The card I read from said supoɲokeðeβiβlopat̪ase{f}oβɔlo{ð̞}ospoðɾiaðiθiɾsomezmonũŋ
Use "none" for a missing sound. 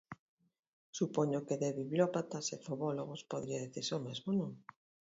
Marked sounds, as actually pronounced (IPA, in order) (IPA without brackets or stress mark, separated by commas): f, ɣ̞